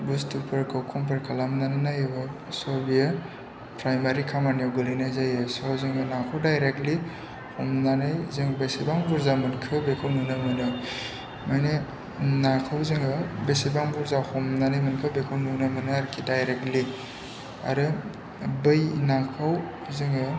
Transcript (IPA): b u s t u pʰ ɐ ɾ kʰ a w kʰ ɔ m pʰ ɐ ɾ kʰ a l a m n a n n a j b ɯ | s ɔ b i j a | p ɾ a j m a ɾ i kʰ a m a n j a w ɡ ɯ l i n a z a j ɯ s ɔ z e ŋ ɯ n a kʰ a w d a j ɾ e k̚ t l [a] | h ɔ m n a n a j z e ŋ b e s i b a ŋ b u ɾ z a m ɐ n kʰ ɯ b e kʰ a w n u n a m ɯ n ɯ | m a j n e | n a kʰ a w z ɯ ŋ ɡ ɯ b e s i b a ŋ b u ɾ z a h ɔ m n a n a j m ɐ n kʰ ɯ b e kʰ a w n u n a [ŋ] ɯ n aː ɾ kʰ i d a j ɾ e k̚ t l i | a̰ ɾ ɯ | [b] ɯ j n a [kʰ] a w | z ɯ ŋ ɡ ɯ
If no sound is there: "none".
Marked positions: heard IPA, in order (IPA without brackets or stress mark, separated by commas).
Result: i, m, b, kʰ